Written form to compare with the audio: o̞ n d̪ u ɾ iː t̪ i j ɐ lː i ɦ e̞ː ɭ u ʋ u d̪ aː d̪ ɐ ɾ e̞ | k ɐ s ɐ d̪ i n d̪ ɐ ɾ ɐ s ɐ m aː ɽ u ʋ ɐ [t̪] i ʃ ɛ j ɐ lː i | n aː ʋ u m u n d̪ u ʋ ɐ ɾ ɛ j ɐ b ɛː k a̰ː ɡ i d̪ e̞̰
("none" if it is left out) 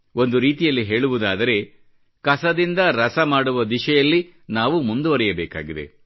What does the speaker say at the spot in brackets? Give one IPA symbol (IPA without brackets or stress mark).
d̪